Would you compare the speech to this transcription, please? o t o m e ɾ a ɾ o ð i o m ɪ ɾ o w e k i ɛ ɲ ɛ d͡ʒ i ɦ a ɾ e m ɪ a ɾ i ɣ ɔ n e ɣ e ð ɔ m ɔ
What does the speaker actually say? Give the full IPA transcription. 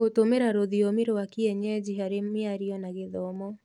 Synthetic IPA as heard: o t o m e ɾ a ɾ o ð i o m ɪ ɾ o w a k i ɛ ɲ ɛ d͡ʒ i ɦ a ɾ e m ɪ a ɾ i ɔ n a ɣ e ð ɔ m ɔ